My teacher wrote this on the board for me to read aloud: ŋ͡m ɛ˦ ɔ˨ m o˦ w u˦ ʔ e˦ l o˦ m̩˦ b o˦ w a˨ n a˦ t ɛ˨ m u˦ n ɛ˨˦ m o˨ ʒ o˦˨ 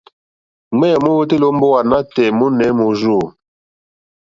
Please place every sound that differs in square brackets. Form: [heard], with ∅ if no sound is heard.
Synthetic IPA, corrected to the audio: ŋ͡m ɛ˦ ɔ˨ m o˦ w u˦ [t] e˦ l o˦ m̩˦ b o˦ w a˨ n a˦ t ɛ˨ m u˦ n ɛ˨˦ m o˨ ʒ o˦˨